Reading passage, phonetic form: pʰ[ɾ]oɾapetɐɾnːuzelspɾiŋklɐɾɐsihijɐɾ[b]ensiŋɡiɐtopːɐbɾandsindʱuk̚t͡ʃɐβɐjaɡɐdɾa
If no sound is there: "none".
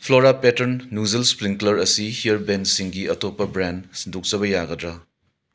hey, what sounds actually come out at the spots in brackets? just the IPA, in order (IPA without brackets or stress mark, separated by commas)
l, b